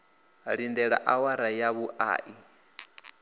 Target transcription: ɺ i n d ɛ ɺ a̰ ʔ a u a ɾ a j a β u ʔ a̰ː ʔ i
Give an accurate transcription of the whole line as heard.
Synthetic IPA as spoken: ɺ i n d ɛ ɺ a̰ ʔ a w a ɾ a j a β u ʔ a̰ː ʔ i